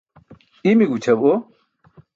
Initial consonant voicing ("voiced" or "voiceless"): voiced